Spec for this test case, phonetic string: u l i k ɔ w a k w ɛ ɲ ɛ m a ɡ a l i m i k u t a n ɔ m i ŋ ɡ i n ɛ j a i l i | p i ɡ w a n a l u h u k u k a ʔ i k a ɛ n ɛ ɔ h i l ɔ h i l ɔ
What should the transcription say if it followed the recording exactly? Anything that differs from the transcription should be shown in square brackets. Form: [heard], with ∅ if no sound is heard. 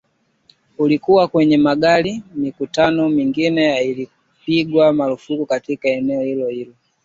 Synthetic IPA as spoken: u l i k [u] w a k w ɛ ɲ ɛ m a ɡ a l i m i k u t a n ɔ m i ŋ ɡ i n ɛ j a i l i | p i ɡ w a [m] a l u [f] u k u k a [t] i k a ɛ n ɛ ɔ h i l ɔ h i l ɔ